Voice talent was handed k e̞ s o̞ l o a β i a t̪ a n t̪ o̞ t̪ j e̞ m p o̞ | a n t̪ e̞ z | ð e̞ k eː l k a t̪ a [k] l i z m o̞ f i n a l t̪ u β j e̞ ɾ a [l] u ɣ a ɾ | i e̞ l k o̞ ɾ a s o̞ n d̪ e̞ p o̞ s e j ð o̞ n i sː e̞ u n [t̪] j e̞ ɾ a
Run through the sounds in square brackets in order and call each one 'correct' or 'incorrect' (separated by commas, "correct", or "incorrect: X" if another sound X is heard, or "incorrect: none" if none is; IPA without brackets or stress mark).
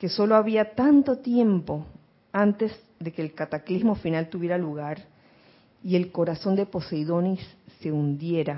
correct, correct, incorrect: d̪